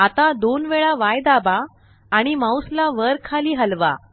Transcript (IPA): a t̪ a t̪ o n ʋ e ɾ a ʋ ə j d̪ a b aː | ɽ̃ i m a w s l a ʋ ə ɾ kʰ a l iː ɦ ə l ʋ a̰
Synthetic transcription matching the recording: a t̪ a d̪ o n ʋ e ɭ a ʋ a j d̪ a b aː | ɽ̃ i m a w s l a ʋ ə ɾ kʰ a l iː ɦ ə l ʋ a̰

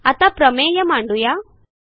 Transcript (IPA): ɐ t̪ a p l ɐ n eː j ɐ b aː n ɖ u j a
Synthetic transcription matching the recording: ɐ t̪ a p ɾ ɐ m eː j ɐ m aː ɳ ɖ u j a

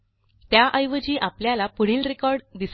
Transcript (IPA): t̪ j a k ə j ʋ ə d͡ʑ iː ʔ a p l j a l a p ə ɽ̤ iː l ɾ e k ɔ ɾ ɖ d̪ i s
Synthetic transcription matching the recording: t̪ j a ʔ ə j ʋ ə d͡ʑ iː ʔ a p l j a l a p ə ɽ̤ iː l ɾ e k ɔ ɾ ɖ d̪ i s

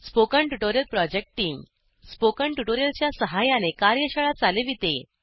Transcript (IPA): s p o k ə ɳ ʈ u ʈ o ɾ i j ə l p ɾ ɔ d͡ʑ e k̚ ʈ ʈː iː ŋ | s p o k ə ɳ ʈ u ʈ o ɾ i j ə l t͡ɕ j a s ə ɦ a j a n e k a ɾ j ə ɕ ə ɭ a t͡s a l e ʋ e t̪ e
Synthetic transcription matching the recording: s p o k ə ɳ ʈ u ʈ o ɾ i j ə l p ɾ ɔ d͡ʑ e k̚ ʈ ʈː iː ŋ | s p o k ə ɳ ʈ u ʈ o ɾ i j ə l t͡ɕ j a s ə ɦ a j a n e k a ɾ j ə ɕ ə ɭ a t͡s a l e ʋ i t̪ e

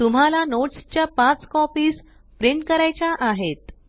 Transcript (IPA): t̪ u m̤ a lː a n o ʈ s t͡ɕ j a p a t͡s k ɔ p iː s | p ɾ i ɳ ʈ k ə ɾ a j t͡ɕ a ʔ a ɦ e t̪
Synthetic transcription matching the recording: t̪ u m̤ a l a n o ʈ s t͡ɕ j a p a t͡s k ɔ p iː s | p ɾ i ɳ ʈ k ə ɾ a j t͡ɕ a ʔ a ɦ e t̪

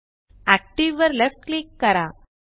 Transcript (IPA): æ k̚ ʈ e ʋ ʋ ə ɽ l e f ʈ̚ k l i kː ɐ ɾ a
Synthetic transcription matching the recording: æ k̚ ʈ i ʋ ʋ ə ɾ l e f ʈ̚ k l i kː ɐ ɾ a

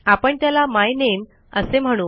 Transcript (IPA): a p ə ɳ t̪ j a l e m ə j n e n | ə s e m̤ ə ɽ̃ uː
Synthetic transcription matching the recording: a p ə ɳ t̪ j a l a m a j n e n | ə s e m̤ ə ɽ̃ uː

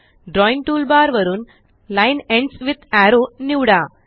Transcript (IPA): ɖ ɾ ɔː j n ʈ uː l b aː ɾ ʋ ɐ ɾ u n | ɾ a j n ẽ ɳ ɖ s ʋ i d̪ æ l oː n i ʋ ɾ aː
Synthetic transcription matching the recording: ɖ ɾ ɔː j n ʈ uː l b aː ɾ ʋ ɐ ɾ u n | l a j n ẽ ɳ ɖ s ʋ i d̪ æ ɾ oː n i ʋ ɽ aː

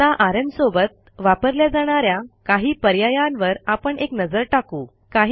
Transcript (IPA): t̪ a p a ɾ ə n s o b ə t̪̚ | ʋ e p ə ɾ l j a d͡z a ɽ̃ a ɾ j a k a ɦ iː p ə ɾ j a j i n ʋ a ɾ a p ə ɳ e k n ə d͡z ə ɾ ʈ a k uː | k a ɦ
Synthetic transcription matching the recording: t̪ a ʔ a ɾ ə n s o b ə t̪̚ | ʋ a p ə ɾ l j a d͡z a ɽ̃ a ɾ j a k a ɦ iː p ə ɾ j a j a n ʋ ə ɾ a p ə ɳ e k n ə d͡z ə ɾ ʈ a k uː | k a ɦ

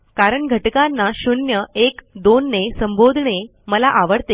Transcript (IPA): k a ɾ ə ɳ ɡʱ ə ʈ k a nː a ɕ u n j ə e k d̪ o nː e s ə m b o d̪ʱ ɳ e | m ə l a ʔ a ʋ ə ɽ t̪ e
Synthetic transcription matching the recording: k a ɾ ə ɳ ɡʱ ə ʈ k a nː a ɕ u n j ə e k d̪ o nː e s ə m b o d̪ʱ ɳ e | m ə l a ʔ a ʋ ə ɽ t̪ e

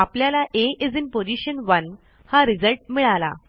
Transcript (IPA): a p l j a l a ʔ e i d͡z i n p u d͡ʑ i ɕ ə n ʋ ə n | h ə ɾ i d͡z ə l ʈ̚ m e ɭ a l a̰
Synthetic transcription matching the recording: a p l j a l a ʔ e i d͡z i n p o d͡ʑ i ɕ ə n ʋ ə n | h a ɾ i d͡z ə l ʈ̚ m i ɭ a l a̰

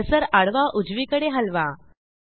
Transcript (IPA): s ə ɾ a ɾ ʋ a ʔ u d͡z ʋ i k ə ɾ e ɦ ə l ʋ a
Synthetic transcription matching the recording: s ə ɾ a ɽ ʋ a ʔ u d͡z ʋ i k ə ɽ e ɦ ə l ʋ a

